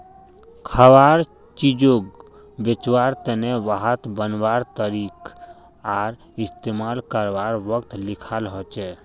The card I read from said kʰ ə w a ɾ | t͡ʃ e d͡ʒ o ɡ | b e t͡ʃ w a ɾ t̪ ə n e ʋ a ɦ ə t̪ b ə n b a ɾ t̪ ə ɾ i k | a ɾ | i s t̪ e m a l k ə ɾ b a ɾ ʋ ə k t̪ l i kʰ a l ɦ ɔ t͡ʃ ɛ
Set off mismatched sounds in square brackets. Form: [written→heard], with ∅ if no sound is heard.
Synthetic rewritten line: kʰ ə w a ɾ | t͡ʃ [e→i] d͡ʒ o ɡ | b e t͡ʃ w a ɾ t̪ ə n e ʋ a ɦ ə t̪ b ə n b a ɾ t̪ ə ɾ i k | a ɾ | i s t̪ e m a l k ə ɾ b a ɾ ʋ ə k t̪ l i kʰ a l ɦ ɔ t͡ʃ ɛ